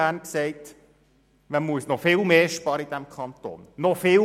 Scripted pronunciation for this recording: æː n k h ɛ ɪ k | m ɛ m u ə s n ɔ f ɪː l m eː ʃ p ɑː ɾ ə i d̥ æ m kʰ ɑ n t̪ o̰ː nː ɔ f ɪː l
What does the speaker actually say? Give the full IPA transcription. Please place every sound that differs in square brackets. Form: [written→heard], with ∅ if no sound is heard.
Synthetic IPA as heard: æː n k [h→s] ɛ ɪ [k→t] | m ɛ m u ə s n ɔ f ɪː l m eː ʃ p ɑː ɾ ə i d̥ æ m kʰ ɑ n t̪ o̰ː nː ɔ f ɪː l